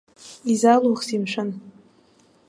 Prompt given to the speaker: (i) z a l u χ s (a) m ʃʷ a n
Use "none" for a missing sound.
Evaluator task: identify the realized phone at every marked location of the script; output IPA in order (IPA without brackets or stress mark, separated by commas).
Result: i, i